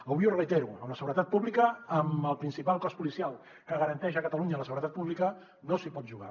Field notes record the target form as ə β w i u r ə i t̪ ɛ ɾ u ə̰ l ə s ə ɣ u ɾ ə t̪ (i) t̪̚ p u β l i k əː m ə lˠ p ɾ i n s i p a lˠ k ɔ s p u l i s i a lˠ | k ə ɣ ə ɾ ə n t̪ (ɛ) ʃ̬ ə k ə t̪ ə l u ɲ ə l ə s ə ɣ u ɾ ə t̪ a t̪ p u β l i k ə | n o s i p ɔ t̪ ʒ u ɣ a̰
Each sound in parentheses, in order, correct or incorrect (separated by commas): incorrect, correct